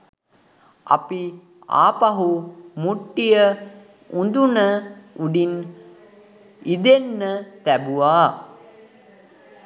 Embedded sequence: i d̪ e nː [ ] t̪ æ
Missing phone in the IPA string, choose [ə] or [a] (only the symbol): ə